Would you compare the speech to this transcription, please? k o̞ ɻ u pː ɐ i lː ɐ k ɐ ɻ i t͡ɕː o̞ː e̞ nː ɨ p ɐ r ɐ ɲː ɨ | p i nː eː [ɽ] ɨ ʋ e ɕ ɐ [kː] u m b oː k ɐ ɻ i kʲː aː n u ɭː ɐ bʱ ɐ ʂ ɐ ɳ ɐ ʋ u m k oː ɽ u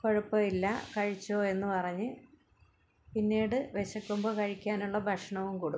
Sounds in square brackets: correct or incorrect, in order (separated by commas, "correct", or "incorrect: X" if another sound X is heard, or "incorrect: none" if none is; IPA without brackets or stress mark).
correct, correct